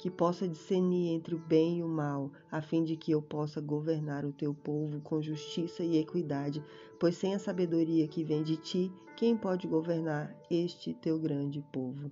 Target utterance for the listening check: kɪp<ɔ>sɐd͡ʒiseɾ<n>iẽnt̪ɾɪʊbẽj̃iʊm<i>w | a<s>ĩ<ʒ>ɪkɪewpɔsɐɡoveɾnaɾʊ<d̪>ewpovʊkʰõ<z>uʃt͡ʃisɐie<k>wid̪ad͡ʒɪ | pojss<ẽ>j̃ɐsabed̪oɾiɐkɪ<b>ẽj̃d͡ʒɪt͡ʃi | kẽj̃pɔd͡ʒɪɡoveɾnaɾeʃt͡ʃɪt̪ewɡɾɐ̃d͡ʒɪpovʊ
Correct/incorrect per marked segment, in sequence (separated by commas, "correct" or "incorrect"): correct, correct, incorrect, incorrect, incorrect, incorrect, incorrect, correct, correct, incorrect